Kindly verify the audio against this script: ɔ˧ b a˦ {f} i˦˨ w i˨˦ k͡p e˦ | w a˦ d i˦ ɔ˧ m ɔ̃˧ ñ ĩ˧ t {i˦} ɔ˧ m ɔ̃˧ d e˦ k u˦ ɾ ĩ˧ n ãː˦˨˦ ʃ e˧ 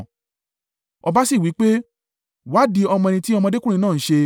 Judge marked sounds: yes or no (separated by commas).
no, yes